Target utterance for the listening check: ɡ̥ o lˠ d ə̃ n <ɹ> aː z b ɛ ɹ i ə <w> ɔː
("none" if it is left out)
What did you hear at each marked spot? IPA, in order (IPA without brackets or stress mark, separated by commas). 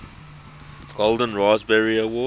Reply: ɹ, w